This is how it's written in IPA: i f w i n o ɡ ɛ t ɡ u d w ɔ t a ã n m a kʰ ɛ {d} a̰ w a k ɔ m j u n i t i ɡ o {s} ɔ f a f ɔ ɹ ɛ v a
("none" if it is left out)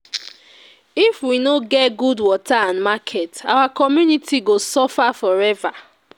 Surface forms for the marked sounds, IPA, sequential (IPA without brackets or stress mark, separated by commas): t, s